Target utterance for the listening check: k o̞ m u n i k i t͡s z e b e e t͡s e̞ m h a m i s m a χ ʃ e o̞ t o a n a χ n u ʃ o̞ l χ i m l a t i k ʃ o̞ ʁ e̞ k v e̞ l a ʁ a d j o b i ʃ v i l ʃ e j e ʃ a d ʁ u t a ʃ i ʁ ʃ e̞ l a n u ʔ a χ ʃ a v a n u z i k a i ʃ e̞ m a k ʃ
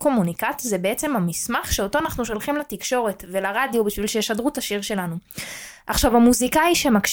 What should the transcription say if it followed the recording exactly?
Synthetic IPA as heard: k o̞ m u n i k a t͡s z e b e e t͡s e̞ m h a m i s m a χ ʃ e o̞ t o a n a χ n u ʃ o̞ l χ i m l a t i k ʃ o̞ ʁ e̞ t v e̞ l a ʁ a d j o b i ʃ v i l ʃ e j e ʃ a d ʁ u t a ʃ i ʁ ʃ e̞ l a n u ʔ a χ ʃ a v a m u z i k a i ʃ e̞ m a k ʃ